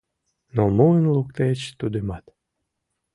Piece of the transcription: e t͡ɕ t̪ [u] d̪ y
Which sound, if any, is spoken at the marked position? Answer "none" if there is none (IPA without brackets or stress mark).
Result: u